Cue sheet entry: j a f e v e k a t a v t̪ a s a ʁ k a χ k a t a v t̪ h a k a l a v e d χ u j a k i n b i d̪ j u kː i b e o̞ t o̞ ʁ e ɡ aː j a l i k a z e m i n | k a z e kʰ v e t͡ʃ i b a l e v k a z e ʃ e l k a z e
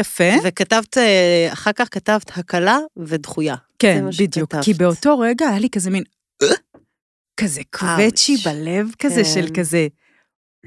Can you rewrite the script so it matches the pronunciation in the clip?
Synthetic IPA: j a f e v e k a t a v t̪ a χ a ʁ k a χ k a t a v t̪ h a k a l a v e d χ u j a k e n b i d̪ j u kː i b e o̞ t o̞ ʁ e ɡ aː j a l i k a z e m i n | k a z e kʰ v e t͡ʃ i b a l e v k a z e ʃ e l k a z e